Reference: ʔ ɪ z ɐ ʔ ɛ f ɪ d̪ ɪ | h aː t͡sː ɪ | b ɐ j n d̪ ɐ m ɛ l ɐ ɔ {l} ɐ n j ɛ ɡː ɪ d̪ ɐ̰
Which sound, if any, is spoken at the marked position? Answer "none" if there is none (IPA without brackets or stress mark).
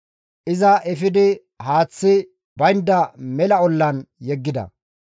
lː